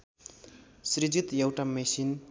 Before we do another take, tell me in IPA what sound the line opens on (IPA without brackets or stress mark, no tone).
s